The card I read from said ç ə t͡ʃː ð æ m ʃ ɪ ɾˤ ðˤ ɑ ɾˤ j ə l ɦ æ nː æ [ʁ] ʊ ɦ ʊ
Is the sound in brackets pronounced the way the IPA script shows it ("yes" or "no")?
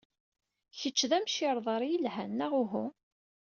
yes